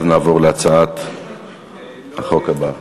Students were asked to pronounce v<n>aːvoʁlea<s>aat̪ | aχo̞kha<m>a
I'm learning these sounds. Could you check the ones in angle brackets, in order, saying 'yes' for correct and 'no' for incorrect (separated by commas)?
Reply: yes, no, no